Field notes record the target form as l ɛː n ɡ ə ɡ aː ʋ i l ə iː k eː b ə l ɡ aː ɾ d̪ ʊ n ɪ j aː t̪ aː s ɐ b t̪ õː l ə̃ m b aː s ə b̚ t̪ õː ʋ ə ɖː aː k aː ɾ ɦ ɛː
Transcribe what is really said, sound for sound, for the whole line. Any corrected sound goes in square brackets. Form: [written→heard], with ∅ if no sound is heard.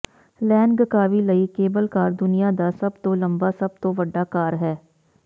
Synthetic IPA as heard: l ɛː n ɡ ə [ɡ→k] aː ʋ i l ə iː k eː b ə l [ɡ→k] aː ɾ d̪ ʊ n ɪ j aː [t̪→d̪] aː s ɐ b t̪ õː l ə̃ m b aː s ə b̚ t̪ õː ʋ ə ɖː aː k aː ɾ ɦ ɛː